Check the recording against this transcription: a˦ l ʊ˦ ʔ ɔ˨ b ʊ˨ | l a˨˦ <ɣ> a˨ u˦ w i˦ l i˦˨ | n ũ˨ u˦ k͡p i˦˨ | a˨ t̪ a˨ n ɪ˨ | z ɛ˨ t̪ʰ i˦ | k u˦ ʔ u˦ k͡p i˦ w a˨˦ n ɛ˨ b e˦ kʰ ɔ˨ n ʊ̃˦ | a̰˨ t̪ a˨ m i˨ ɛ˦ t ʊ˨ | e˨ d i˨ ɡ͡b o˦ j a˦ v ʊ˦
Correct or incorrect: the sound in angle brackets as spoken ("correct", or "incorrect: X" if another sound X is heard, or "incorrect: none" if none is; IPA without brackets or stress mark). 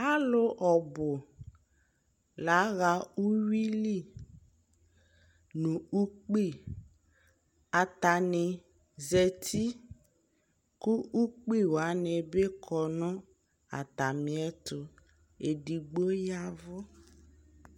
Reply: correct